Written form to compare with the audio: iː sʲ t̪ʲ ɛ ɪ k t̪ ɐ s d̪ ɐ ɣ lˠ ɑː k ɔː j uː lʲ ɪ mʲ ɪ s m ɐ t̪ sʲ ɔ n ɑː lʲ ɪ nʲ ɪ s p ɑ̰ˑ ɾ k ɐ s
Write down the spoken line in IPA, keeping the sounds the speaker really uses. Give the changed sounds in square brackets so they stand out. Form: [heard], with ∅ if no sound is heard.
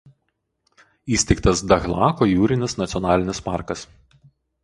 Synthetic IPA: iː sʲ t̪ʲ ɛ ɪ k t̪ ɐ s d̪ ɐ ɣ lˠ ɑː k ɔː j uː [ɾʲ] ɪ [nʲ] ɪ s [n] ɐ t̪ sʲ ɔ n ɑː lʲ ɪ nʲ ɪ s p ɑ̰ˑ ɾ k ɐ s